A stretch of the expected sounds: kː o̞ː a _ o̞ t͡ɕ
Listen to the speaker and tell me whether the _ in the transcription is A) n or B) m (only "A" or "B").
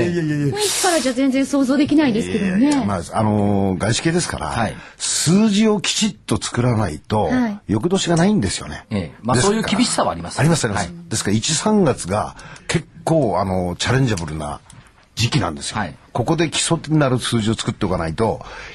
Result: A